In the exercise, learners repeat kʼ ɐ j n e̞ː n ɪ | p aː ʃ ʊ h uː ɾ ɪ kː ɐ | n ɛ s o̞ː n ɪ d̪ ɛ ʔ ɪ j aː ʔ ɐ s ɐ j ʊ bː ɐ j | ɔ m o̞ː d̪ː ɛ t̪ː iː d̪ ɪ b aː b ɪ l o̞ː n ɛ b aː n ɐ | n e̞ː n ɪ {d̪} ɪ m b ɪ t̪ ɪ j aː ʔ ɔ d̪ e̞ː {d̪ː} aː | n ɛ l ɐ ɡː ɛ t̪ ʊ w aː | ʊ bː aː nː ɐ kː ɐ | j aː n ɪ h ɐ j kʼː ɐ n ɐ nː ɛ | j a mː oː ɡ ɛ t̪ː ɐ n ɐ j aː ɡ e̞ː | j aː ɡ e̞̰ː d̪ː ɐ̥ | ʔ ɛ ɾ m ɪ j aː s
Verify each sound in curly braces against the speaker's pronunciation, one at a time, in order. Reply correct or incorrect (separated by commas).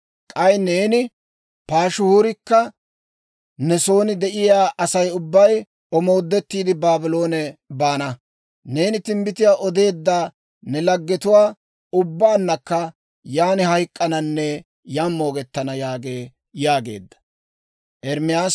incorrect, correct